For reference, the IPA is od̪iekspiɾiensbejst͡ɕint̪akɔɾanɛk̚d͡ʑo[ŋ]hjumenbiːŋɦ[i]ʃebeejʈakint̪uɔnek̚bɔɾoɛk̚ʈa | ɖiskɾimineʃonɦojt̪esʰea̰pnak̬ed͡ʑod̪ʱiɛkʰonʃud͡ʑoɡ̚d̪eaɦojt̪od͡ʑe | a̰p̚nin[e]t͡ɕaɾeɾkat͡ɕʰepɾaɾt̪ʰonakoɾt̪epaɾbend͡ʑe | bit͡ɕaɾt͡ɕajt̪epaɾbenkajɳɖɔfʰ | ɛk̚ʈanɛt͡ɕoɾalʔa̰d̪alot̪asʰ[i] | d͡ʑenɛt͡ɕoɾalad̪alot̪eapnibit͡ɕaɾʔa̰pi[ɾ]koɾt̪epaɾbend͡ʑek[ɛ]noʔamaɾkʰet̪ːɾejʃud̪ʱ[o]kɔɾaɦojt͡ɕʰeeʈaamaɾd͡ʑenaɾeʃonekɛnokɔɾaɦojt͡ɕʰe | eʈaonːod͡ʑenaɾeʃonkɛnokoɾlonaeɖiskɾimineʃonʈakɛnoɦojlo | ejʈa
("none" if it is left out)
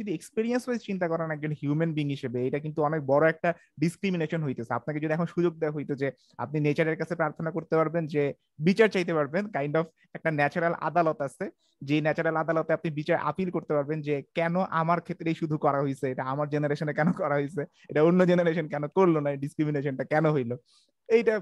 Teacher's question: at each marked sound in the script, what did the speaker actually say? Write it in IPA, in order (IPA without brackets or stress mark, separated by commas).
n, i, e, e, l, ɛ, u